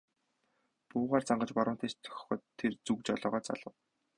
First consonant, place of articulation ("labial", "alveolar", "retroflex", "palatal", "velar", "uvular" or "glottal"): labial